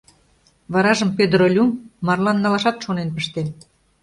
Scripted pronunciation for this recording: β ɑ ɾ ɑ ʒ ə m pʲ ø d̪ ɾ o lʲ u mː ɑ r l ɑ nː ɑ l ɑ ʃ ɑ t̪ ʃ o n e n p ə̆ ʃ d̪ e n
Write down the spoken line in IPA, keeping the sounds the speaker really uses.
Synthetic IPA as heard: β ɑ ɾ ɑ ʒ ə m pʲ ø d̪ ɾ o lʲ u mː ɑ r l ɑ nː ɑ l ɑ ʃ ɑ t̪ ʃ o n e n p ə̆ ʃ t̪ e n